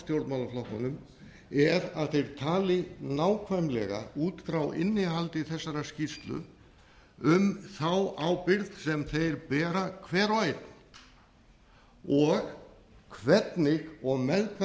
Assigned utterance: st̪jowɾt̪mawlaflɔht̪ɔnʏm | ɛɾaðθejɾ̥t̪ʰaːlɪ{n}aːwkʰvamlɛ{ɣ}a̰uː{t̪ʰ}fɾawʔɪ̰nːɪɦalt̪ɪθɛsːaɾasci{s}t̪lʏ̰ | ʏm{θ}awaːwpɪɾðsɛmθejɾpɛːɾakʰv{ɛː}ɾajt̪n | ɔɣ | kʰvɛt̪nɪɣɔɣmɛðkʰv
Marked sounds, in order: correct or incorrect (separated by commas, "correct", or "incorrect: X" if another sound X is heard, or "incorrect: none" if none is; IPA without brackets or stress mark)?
correct, correct, incorrect: t̪, correct, correct, correct